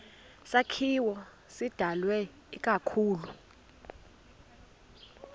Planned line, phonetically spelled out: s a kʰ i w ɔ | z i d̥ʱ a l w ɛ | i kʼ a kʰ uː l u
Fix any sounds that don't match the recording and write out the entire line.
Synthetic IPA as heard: s a kʰ i w ɔ | s i d̥ʱ a l w ɛ | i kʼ a kʰ uː l u

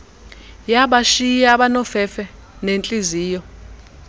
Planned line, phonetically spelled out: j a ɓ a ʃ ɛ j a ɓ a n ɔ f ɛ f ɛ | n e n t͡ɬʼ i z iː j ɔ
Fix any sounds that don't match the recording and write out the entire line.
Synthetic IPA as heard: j a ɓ a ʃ i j a ɓ a n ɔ f ɛ f ɛ | n e n t͡ɬʼ i z iː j ɔ

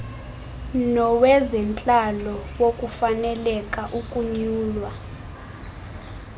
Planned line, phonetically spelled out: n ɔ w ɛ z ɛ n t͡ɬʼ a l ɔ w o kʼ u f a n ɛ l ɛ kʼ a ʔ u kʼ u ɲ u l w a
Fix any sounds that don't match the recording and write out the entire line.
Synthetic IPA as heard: n ɔ w ɛ z ɛ n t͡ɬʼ a l ɔ w o kʼ u f a n ɛ l ɛ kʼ a ʔ u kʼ u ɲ uː l w a

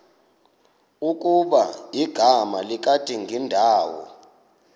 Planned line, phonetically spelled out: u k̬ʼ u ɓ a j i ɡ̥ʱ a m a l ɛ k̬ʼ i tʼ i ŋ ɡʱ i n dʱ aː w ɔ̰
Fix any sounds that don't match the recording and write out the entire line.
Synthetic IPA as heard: u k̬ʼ u ɓ a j i ɡ̥ʱ a m a l i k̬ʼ a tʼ i ŋ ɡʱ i n dʱ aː w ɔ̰

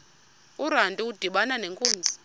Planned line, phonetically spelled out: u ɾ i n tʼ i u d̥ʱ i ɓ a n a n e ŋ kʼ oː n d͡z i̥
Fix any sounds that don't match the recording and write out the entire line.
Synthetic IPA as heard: u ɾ a n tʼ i u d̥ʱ i ɓ a n a n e ŋ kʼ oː n d͡z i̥

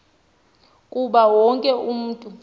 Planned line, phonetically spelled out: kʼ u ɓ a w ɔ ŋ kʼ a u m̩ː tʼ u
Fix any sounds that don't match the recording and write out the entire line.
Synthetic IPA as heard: kʼ u ɓ a w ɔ ŋ kʼ ɛ u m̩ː tʼ u

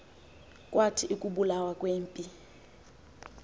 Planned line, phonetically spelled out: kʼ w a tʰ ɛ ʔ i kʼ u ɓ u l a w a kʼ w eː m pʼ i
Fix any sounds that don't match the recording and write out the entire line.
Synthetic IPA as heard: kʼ w a tʰ i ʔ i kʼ u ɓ u l a w a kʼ w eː m pʼ i

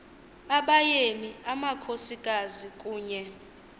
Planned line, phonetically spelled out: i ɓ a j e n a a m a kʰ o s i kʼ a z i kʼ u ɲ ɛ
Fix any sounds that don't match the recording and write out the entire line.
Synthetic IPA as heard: a ɓ a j e n i a m a kʰ o s i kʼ a z i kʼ uː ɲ ɛ

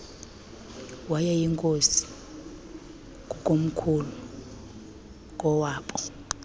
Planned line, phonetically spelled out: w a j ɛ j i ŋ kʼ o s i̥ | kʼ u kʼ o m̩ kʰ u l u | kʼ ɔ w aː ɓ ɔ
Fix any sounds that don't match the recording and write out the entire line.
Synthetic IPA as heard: w a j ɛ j i ŋ kʼ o s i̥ | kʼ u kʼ o m̩ kʰ u l u | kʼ ɔ w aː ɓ ɔ

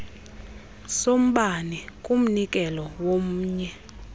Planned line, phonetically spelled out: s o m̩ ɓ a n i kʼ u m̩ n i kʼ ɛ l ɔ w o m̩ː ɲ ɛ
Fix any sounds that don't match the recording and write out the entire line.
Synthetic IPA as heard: s o m̩ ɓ a n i kʼ u m̩ n i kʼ ɛ l ɔ w o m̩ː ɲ ɛ

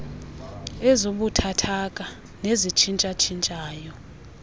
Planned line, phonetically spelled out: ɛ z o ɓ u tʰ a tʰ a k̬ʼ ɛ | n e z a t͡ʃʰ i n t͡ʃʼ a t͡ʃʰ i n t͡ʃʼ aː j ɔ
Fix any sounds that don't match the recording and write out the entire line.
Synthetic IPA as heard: ɛ z o ɓ u tʰ a tʰ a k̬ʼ a | n e z i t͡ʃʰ i n t͡ʃʼ a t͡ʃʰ i n t͡ʃʼ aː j ɔ

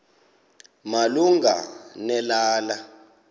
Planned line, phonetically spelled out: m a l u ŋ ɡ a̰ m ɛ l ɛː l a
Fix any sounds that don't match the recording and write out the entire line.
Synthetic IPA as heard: m a l u ŋ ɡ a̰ n ɛ l aː l a

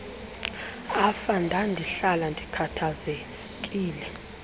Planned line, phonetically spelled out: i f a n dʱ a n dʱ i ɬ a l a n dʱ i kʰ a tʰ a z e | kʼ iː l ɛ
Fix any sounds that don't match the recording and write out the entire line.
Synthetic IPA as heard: a f a n dʱ a n dʱ i ɬ a l a n dʱ i kʰ a tʰ a z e | kʼ iː l ɛ

